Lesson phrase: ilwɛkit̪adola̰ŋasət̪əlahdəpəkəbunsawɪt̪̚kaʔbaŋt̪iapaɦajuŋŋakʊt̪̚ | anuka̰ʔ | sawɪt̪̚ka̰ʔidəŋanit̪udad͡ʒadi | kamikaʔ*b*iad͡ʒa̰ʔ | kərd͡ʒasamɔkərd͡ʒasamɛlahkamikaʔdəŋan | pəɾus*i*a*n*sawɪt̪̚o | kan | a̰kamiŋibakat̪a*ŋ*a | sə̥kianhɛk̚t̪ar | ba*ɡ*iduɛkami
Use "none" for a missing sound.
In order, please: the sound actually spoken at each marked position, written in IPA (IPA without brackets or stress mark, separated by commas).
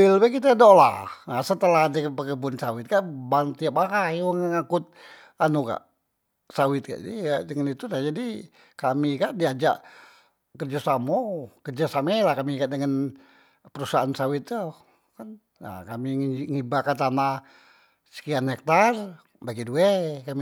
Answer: d, a, n, n, ɡ